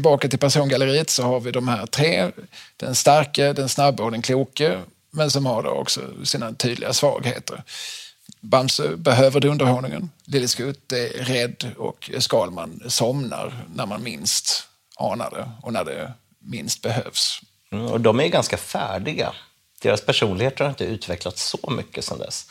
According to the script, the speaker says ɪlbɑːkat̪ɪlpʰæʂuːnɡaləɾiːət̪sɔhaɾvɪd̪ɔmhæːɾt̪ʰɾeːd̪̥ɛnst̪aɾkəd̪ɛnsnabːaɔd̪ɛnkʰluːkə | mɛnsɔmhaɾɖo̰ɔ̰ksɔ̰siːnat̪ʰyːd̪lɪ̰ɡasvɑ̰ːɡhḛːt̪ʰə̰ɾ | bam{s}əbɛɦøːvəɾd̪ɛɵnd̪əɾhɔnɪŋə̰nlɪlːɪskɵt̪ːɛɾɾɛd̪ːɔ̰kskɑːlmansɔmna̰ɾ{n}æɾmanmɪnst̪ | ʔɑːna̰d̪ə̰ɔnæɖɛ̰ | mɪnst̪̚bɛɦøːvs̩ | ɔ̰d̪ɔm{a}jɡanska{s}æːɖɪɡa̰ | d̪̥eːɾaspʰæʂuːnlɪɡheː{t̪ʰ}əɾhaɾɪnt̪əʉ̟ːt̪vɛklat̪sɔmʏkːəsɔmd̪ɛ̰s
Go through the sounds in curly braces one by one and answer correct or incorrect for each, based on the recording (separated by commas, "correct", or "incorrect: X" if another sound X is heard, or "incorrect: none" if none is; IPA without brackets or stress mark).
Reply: correct, correct, incorrect: æ, incorrect: f, incorrect: t̪